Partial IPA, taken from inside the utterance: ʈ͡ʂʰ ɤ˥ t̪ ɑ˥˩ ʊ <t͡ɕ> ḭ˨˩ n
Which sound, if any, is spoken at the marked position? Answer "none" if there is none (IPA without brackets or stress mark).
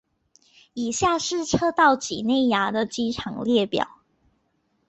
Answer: t͡ɕ